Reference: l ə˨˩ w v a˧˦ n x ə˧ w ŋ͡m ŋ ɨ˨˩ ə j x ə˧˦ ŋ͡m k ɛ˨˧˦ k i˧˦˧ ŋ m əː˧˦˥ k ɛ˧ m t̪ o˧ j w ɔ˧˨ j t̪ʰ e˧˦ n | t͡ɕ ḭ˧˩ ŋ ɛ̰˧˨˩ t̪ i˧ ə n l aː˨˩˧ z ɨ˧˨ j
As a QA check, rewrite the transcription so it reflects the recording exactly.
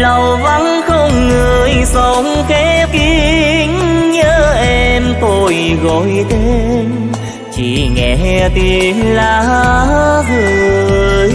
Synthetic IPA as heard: l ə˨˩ w v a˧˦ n x ə˧ w ŋ͡m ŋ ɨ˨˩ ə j s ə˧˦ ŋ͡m k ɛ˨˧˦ k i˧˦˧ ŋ ɲ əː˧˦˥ ʔ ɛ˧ m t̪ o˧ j ɣ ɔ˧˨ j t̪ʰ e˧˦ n | t͡ɕ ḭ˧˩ ŋ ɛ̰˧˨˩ t̪ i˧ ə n l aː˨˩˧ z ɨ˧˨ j